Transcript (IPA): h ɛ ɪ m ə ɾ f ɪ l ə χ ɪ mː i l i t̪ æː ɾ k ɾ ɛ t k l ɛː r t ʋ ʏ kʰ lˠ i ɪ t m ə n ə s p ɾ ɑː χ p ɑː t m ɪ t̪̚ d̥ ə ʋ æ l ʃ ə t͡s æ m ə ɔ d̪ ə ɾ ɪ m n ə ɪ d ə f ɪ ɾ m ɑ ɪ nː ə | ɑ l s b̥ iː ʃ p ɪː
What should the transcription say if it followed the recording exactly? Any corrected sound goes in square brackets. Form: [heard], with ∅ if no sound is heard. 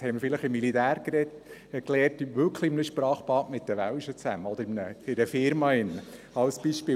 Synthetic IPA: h ɛ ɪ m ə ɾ f ɪ l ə χ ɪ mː i l i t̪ æː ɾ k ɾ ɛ t k l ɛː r t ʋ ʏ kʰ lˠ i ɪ [∅] m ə n ə [ʃ] p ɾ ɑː χ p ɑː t m ɪ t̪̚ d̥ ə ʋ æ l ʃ ə t͡s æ m ə ɔ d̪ ə ɾ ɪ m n ə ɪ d ə f ɪ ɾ m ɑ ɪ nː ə | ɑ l s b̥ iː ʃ p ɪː